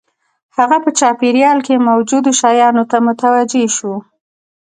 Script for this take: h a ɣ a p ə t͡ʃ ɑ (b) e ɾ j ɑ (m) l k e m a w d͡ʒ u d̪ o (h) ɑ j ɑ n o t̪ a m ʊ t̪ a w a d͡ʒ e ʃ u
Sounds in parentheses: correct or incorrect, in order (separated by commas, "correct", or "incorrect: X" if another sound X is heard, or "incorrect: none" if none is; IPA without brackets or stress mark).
incorrect: p, incorrect: none, incorrect: ʃ